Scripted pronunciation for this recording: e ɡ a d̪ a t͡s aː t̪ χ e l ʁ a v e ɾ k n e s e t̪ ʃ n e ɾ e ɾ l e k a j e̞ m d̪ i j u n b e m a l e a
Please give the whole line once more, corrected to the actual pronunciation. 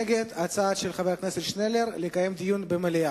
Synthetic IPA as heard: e ɡ e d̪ a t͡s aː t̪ ʃ e l χ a v e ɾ k n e s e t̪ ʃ n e l e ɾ l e k a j e̞ m d̪ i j u n b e m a l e a

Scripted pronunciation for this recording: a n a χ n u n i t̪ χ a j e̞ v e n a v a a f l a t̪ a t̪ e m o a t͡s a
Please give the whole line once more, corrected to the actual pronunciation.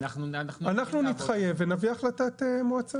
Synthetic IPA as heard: a n a χ n u n i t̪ χ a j e̞ v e n a v i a χ l a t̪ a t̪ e m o a t͡s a

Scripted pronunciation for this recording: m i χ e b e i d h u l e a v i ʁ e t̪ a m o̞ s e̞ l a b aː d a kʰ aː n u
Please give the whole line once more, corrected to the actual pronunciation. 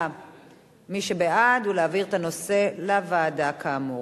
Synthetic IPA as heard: m i ʃ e b e a d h u l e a v i ʁ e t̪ a n o̞ s e̞ l a v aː d a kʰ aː m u

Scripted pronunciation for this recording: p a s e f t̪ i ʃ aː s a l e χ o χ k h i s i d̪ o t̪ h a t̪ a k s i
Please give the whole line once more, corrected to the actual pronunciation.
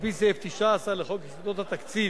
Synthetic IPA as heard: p i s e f t̪ i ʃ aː s a l e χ o k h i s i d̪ o t̪ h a t̪ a k t͡s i

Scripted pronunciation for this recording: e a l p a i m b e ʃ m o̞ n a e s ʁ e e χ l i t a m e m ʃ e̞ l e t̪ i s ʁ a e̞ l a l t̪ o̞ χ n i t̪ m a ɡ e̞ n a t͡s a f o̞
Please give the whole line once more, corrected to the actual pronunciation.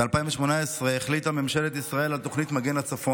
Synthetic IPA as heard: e a l p a i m v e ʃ m o̞ n a e s ʁ e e χ l i t a m e m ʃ e̞ l e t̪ i s ʁ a e̞ l a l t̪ o̞ χ n i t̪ m a ɡ e̞ n a t͡s a f o̞

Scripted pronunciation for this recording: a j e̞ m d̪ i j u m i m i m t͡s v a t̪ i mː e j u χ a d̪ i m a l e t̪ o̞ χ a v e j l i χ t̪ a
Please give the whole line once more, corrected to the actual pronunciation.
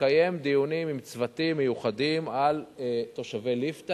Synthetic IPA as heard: a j e̞ m d̪ i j u n i m i m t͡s v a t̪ i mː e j u χ a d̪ i m a l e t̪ o̞ ʃ a v e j l i f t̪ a

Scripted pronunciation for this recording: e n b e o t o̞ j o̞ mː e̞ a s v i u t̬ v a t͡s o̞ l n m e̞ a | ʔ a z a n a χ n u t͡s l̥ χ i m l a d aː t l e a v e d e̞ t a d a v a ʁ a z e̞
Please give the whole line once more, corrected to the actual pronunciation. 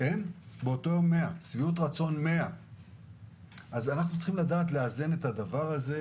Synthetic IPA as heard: e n b e o t o̞ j o̞ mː e̞ a s v i u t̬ ʁ a t͡s o̞ n m e̞ a | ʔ a z a n a χ n u t͡s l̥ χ i m l a d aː t l e a z e n e̞ t a d a v a ʁ a z e̞

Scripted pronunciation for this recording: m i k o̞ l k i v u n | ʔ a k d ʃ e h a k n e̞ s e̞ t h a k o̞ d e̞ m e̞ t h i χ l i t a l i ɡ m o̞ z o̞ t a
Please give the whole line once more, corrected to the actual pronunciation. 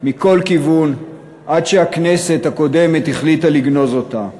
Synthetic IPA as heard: m i k o̞ l k i v u n | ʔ a d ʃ e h a k n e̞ s e̞ t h a k o̞ d e̞ m e̞ t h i χ l i t a l i ɡ n o̞ z o̞ t a

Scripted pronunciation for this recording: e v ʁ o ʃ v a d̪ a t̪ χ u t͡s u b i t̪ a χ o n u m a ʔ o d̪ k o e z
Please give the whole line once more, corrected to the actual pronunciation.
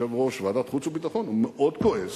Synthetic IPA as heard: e v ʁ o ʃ v a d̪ a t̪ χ u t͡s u b i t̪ a χ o n u m e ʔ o d̪ k o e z

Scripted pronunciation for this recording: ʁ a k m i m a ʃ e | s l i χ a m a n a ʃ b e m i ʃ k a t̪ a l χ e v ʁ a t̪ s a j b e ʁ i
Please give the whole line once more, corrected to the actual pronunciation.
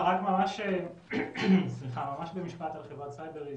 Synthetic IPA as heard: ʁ a k m a m a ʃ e | s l i χ a m a m a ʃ b e m i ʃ p a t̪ a l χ e v ʁ a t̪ s a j b e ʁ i

